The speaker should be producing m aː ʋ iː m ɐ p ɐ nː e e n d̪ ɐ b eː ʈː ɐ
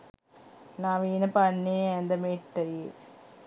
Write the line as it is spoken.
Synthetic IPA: n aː ʋ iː n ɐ p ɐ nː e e n d̪ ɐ m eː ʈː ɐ